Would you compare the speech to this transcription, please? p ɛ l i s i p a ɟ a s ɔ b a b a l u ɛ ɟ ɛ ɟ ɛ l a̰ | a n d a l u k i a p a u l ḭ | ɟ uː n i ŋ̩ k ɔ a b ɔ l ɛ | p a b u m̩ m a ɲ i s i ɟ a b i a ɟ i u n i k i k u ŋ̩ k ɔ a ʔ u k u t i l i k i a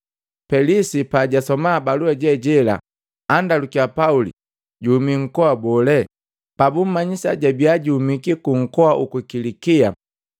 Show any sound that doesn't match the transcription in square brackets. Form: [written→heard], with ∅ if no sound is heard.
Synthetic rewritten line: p ɛ l i s i p a ɟ a s ɔ [b→m] a b a l u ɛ ɟ ɛ ɟ ɛ l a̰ | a n d a l u k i a p a u l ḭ | ɟ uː [n→m] i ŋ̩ k ɔ a b ɔ l ɛ | p a b u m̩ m a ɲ i s [i→a] ɟ a b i a ɟ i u [n→m] i k i k u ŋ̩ k ɔ a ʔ u k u [t→k] i l i k i a